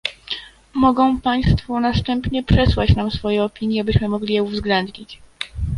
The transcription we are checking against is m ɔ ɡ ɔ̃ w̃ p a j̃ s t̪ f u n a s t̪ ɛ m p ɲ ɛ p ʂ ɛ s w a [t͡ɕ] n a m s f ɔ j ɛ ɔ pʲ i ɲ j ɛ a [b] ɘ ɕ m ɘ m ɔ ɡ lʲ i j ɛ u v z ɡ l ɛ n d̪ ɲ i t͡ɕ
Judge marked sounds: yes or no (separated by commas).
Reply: yes, yes